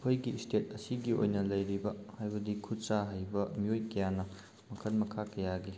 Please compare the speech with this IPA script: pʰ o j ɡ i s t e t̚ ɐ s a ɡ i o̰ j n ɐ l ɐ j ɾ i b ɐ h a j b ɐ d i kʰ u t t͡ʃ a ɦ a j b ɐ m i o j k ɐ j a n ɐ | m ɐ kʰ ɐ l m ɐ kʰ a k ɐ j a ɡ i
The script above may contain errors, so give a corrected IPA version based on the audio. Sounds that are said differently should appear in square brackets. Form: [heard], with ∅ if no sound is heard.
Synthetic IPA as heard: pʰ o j ɡ i s t e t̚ ɐ s [i] ɡ i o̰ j n ɐ l ɐ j ɾ i b ɐ h a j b ɐ d i kʰ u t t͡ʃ a ɦ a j b ɐ m i o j k ɐ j a n ɐ | m ɐ kʰ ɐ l m ɐ kʰ a k ɐ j a ɡ i